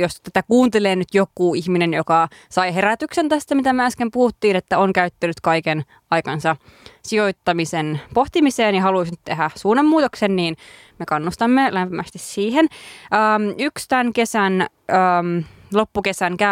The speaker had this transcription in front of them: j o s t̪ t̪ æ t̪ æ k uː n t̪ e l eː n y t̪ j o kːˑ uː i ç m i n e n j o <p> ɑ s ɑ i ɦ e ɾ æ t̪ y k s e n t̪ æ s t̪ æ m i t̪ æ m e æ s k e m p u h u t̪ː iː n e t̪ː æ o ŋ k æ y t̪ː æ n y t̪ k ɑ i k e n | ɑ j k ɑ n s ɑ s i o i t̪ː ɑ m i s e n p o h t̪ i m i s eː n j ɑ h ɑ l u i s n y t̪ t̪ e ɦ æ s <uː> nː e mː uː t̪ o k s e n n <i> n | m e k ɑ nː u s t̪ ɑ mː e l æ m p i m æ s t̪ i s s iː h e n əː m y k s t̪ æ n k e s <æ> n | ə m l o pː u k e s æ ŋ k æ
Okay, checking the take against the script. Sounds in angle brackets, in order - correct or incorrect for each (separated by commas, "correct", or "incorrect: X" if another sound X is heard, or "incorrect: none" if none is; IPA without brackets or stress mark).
incorrect: k, correct, incorrect: iː, correct